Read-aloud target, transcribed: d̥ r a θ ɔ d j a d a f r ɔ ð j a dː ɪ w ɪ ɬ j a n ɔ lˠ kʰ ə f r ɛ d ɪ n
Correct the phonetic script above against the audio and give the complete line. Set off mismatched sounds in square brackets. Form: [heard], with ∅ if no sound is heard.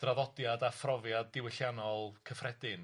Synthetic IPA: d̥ r a [ð] ɔ d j a d a f r ɔ [v] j a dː ɪ w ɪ ɬ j a n ɔ lˠ kʰ ə f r ɛ d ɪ n